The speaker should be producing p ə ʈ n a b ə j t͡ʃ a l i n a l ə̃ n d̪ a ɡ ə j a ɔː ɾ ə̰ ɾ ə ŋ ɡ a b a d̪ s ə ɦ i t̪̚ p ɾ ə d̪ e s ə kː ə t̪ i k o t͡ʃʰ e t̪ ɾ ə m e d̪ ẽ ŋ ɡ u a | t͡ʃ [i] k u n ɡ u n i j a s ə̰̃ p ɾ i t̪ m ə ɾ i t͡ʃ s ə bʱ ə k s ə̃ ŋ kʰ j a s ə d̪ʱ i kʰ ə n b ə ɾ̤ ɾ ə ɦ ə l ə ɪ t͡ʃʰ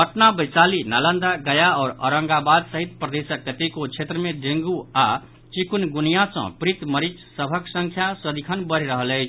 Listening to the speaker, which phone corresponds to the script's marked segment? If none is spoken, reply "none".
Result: i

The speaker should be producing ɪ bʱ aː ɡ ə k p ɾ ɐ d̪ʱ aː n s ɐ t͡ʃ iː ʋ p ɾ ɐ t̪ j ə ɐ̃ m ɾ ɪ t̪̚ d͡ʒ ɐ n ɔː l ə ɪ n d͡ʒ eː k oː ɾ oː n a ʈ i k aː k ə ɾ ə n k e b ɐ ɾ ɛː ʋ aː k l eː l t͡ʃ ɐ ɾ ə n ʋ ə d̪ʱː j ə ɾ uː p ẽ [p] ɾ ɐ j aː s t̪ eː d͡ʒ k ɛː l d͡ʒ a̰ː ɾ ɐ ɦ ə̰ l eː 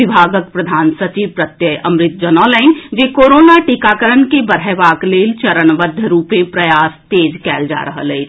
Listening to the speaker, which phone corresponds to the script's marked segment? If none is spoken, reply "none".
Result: p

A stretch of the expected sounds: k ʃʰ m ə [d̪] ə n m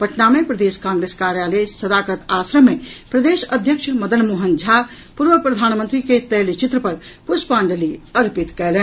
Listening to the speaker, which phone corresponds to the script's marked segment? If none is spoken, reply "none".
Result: d̪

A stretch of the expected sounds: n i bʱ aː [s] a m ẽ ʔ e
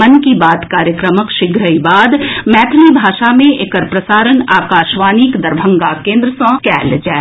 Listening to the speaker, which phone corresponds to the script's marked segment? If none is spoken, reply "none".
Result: ʃ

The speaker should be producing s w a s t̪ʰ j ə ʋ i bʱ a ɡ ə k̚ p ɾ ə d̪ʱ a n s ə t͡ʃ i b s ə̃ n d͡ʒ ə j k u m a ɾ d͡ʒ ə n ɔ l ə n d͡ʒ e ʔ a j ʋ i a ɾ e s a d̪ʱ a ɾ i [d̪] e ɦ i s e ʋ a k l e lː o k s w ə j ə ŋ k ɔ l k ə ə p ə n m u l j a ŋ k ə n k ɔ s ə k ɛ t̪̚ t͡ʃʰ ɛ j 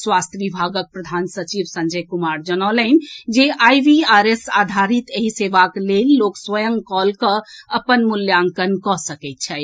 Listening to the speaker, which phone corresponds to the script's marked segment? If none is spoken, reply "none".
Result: t̪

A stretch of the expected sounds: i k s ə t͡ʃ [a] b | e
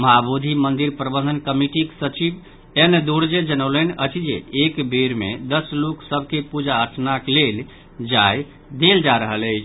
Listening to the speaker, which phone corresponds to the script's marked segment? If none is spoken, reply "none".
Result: i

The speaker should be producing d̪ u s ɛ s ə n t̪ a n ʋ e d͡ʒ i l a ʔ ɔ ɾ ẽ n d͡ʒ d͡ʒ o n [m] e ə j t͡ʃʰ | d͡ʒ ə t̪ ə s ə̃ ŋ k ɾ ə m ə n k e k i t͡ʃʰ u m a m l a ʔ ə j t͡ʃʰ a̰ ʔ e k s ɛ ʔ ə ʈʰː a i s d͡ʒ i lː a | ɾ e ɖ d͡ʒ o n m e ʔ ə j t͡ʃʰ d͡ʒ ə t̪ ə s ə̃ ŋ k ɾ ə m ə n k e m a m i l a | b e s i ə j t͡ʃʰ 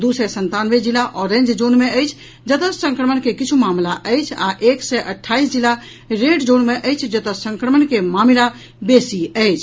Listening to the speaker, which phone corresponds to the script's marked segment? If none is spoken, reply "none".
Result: m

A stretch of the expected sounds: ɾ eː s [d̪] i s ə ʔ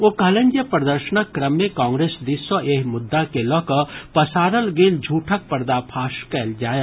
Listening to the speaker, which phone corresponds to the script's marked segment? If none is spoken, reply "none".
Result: d̪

